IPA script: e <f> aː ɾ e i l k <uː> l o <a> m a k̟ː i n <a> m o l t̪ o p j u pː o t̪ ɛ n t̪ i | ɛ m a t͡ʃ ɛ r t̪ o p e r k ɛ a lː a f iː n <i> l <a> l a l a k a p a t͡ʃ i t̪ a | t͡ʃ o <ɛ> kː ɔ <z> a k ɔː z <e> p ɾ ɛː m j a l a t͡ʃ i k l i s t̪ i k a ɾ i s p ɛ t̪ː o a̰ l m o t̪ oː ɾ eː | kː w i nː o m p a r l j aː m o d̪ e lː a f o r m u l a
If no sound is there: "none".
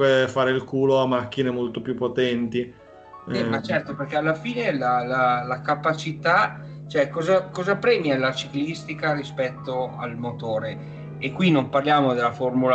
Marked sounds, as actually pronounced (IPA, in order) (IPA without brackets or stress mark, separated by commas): f, uː, a, e, e, a, ɛ, z, a